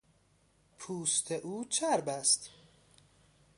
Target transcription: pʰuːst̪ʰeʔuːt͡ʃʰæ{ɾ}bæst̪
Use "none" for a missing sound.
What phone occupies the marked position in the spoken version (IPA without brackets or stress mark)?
ɾ